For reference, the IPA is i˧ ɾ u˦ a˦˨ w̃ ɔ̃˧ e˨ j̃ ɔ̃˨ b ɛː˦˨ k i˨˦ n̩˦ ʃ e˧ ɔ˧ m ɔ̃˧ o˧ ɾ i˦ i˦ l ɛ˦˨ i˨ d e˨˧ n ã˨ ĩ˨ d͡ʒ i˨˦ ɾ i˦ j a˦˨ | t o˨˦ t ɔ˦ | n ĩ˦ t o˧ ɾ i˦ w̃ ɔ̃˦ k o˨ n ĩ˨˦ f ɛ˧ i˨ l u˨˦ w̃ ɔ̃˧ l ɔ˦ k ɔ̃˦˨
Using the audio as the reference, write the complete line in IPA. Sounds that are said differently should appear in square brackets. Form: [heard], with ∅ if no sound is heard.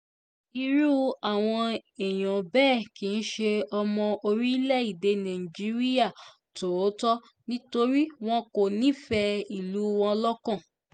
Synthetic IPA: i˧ ɾ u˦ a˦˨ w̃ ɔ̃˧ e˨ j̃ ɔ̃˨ b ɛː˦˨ k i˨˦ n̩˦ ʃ e˧ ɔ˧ m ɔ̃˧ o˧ ɾ i˦ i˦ l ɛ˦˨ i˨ d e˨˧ n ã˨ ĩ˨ d͡ʒ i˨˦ ɾ i˦ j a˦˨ | t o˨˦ t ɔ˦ | n ĩ˦ t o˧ ɾ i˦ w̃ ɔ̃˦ k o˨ n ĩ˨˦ f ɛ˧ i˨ l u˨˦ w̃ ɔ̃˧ l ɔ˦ k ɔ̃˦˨